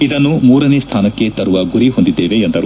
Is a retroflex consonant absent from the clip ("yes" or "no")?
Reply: yes